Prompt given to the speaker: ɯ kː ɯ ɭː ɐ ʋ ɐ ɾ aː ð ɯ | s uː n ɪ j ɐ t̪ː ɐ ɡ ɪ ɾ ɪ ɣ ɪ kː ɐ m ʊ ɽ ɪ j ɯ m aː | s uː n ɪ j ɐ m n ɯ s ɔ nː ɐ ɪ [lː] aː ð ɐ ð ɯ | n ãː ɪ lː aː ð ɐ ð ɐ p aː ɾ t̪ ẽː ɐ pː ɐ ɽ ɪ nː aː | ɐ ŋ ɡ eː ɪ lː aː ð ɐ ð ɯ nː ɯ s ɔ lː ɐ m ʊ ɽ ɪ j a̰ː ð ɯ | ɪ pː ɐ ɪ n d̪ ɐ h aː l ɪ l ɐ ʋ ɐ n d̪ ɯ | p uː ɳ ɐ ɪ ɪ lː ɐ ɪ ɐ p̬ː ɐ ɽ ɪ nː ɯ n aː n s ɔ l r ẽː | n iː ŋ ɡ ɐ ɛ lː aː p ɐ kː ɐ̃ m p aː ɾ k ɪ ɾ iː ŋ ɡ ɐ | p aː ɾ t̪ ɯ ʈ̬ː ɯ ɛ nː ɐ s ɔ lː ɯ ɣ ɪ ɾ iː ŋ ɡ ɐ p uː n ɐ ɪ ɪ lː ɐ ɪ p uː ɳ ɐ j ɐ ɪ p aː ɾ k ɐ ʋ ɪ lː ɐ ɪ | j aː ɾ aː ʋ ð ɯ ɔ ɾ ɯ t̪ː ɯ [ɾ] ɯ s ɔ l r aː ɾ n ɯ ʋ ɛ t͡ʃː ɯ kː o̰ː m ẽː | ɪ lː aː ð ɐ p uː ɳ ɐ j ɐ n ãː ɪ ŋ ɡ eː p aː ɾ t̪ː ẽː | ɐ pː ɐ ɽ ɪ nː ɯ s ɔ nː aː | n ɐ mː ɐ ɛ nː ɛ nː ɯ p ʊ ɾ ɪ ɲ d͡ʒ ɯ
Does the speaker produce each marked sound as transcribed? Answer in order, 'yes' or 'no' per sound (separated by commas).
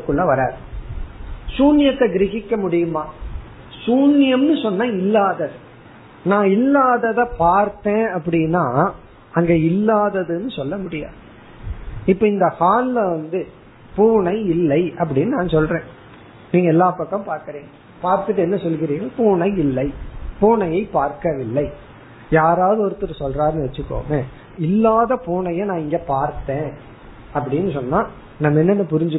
yes, yes